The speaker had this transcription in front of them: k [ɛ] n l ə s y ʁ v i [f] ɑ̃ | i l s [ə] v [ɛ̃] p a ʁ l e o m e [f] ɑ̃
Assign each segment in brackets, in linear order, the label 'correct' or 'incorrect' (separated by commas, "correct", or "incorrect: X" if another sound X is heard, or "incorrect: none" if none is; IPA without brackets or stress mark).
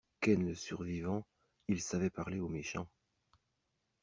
correct, incorrect: v, incorrect: a, incorrect: ɛ, incorrect: ʃ